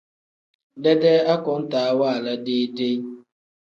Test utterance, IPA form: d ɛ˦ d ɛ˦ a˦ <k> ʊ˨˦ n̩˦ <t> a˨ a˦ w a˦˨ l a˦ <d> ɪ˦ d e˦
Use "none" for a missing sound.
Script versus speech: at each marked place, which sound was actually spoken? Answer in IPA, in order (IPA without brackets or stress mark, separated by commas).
k, t, d